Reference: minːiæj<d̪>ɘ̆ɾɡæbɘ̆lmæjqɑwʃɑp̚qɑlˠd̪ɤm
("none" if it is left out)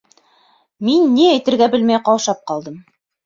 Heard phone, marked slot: t̪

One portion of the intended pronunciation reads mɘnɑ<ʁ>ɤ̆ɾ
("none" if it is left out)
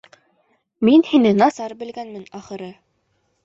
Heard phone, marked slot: χ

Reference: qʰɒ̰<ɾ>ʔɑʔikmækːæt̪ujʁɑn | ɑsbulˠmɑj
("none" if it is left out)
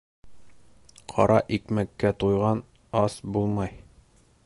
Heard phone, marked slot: ɾ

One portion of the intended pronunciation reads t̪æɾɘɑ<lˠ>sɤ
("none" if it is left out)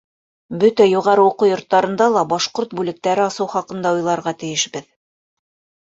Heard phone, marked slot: none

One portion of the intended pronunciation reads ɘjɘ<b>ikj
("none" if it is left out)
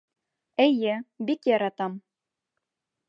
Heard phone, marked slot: b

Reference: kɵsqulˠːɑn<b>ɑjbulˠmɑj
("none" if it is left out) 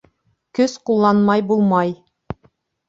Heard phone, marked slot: m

